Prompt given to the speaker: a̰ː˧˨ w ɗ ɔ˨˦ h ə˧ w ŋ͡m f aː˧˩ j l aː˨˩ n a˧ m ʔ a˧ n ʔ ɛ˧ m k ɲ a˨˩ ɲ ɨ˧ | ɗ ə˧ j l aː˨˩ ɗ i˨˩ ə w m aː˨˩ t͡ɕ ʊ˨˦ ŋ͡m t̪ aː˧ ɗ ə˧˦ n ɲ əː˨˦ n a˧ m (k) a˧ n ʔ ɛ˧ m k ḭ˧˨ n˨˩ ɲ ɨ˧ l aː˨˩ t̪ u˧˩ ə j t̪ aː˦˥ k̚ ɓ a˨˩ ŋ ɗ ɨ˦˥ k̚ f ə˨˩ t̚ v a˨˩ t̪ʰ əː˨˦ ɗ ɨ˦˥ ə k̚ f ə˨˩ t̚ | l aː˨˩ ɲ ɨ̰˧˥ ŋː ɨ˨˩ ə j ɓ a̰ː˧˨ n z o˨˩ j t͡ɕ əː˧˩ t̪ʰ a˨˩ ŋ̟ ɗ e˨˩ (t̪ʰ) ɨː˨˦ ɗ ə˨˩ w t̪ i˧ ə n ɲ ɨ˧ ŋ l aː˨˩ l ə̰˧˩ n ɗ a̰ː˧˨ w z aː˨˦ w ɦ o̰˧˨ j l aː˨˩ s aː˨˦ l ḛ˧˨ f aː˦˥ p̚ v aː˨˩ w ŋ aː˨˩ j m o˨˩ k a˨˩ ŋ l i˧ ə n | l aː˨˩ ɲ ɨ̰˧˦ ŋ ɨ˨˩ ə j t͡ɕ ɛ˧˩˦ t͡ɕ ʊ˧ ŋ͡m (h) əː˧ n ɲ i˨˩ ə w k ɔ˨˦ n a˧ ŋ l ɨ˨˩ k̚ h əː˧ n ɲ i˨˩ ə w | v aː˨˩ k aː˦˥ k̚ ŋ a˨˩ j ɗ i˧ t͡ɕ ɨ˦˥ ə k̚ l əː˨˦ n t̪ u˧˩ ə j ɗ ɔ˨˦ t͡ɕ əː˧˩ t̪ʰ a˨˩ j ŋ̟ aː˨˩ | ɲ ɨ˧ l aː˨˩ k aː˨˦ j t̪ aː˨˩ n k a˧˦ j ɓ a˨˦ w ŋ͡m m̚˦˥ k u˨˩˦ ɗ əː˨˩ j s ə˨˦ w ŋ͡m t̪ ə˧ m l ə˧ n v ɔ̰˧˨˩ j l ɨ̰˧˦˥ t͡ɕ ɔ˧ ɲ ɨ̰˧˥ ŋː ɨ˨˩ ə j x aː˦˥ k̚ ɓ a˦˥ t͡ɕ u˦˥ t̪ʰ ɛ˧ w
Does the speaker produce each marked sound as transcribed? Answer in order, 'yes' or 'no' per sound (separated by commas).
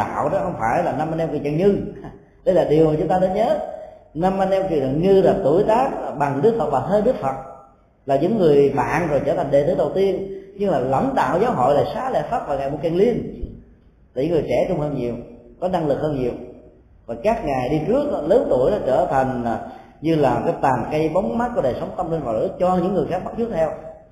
no, no, yes